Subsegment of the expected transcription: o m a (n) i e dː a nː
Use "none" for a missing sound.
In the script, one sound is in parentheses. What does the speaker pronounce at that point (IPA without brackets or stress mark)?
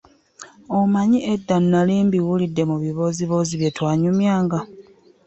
ɲ